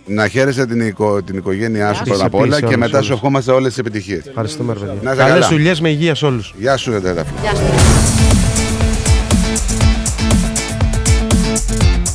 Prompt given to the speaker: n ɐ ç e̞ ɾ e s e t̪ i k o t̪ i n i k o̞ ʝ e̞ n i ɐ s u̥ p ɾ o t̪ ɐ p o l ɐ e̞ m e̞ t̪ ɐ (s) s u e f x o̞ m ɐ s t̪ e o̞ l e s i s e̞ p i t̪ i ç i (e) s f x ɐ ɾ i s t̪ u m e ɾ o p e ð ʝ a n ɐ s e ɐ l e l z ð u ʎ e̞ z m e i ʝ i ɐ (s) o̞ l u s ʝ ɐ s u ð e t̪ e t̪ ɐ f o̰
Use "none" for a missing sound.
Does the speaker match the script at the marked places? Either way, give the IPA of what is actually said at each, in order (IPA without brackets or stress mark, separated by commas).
s, e, s